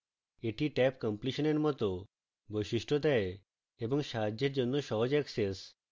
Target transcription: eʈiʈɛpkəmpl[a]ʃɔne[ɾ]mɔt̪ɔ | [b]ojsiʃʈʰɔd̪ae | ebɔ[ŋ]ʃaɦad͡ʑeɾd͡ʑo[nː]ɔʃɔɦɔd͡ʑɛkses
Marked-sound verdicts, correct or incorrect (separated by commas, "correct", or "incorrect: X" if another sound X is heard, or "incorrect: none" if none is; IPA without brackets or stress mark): incorrect: i, correct, correct, correct, correct